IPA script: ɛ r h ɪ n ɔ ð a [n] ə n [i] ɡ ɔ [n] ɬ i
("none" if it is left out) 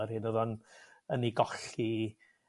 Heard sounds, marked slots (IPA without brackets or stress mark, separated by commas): n, i, none